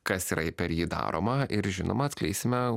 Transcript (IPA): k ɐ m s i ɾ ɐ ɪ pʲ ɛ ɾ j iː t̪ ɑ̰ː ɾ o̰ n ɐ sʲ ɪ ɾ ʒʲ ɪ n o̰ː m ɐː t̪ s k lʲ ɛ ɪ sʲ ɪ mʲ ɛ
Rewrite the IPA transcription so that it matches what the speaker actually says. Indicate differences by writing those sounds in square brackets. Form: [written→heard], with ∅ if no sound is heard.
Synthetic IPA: k ɐ [m→∅] s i ɾ ɐ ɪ pʲ ɛ ɾ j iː [t̪→d̪] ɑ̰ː ɾ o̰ [n→m] ɐ [sʲ→∅] ɪ ɾ ʒʲ ɪ n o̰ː m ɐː t̪ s k lʲ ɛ ɪ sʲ ɪ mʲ ɛ